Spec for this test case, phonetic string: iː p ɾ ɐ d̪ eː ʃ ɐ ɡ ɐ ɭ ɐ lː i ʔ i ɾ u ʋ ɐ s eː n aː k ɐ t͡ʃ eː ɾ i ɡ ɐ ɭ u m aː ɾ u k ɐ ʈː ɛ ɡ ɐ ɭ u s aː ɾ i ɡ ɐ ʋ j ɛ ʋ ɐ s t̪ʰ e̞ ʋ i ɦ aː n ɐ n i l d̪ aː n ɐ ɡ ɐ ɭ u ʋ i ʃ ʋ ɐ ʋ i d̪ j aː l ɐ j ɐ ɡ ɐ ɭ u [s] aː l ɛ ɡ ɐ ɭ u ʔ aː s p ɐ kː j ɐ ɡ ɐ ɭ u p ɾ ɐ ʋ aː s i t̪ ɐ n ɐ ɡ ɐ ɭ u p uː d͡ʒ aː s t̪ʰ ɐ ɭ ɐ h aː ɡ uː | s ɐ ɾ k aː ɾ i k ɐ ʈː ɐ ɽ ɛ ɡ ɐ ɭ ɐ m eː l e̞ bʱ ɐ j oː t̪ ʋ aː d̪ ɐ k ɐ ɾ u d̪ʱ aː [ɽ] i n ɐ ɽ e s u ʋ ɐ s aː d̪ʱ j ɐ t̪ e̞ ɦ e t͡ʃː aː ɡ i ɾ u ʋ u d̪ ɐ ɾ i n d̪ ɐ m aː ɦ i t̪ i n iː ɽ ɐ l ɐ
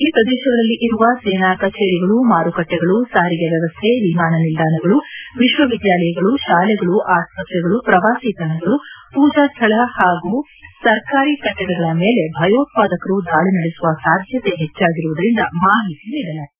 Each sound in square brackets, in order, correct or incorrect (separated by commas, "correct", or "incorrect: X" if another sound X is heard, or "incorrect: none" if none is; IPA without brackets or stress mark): incorrect: ʃ, incorrect: ɭ